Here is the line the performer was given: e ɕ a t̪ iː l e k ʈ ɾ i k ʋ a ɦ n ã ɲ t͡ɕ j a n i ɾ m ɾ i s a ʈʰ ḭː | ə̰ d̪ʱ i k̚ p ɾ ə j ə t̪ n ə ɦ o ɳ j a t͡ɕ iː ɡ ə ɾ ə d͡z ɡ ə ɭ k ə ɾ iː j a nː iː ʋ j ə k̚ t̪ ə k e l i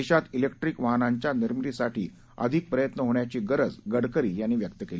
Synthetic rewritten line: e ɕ a t̪ i l e k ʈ ɾ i k ʋ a ɦ n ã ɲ t͡ɕ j a n i ɾ m ɾ i s a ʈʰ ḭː | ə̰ d̪ʱ i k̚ p ɾ ə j ə t̪ n ə ɦ o ɳ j a t͡ɕ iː ɡ ə ɾ ə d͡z ɡ ə ɽ k ə ɾ iː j a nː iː ʋ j ə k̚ t̪ ə k e l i